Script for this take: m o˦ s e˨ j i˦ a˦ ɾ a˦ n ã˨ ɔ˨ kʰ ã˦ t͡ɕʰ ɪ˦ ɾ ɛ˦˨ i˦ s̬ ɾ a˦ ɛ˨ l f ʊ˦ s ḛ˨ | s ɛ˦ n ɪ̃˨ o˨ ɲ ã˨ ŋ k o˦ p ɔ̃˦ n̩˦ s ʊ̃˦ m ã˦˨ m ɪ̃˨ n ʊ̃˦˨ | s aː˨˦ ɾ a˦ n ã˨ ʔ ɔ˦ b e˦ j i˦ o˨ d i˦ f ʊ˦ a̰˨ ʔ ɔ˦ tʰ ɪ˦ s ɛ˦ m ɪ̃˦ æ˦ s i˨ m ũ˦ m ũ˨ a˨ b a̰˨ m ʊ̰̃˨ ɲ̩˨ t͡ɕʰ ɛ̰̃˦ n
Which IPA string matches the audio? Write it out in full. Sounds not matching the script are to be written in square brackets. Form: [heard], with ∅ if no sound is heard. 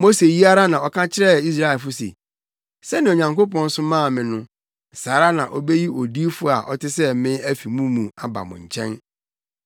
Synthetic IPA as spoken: m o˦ s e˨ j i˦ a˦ ɾ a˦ n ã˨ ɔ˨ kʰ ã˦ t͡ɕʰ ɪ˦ ɾ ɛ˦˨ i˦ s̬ ɾ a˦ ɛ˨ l f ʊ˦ s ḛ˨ | s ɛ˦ n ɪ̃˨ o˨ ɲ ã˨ ŋ k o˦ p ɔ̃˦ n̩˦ s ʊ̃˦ m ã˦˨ m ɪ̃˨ n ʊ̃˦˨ | s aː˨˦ ɾ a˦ n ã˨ ʔ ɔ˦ b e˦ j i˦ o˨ d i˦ f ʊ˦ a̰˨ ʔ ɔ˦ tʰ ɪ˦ s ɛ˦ m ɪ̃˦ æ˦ [f] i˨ m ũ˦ m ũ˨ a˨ b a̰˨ m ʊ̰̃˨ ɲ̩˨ t͡ɕʰ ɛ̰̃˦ n

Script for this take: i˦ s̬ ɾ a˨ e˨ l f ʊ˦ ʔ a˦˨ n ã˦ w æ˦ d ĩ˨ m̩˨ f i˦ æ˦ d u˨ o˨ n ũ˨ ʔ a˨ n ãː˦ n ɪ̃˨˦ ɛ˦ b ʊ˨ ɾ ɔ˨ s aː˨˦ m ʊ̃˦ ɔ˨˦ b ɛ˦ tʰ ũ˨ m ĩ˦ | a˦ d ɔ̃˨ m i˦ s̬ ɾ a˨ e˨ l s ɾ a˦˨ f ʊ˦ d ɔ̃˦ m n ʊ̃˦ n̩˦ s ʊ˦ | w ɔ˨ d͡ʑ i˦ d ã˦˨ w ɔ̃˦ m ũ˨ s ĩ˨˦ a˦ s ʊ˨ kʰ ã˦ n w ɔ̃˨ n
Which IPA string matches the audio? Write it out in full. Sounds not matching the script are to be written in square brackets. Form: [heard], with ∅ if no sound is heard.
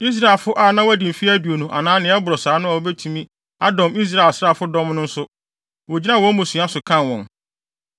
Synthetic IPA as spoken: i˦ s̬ ɾ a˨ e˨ l f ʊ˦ ʔ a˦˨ n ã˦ w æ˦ d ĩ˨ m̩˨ f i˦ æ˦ d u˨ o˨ n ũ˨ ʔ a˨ n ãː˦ n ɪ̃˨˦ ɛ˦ b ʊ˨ ɾ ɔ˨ s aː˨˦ [n] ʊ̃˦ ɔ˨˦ b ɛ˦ tʰ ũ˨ m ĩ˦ | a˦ d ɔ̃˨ m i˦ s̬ ɾ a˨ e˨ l s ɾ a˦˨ f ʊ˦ d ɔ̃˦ m n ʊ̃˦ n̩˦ s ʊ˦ | w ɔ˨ d͡ʑ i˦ [n] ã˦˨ w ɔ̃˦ m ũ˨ s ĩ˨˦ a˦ s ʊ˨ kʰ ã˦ n w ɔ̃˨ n

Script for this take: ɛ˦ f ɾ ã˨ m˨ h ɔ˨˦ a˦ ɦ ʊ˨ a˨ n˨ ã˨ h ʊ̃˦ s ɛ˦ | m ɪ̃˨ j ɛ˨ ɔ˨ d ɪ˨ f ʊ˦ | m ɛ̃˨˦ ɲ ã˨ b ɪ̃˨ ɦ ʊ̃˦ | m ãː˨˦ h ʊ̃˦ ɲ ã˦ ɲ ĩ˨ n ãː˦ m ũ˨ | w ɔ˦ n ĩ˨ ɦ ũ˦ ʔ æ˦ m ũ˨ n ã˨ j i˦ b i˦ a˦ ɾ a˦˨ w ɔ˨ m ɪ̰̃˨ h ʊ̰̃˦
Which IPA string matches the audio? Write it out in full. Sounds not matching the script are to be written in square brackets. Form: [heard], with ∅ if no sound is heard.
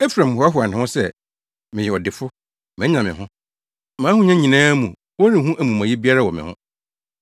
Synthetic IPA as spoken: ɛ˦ f ɾ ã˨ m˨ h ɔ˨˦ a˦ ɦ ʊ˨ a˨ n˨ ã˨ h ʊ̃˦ s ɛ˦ | m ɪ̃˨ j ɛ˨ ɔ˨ d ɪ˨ f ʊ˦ | m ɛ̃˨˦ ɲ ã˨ [m] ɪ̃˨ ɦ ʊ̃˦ | m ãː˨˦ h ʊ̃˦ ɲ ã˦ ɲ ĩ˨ n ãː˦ m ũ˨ | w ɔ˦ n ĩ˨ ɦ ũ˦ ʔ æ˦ m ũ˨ [m] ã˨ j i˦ b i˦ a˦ ɾ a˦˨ w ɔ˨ m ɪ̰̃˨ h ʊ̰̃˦

